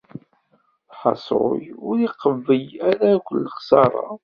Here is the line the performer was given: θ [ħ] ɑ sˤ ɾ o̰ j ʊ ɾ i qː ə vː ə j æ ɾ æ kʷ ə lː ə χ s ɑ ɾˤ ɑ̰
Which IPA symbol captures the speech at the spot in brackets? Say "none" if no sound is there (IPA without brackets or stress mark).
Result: ħ